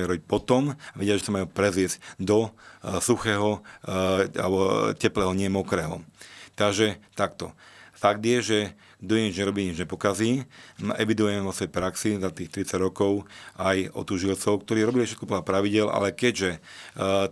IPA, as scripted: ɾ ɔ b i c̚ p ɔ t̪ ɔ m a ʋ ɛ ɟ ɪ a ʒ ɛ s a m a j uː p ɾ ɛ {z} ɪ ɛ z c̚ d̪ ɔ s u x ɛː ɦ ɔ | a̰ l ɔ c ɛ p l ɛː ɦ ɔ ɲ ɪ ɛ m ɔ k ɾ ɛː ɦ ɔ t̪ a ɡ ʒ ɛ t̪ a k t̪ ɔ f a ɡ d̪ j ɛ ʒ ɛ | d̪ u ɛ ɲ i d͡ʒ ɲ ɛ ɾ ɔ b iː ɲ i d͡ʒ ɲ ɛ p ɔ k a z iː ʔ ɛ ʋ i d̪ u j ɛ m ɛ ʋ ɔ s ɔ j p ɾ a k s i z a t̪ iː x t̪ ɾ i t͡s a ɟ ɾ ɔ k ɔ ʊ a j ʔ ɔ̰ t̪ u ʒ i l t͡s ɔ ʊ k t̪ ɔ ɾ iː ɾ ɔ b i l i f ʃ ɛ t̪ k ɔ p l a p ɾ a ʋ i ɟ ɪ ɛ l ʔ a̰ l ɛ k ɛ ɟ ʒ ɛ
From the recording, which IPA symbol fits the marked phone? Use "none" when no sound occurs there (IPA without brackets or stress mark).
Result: z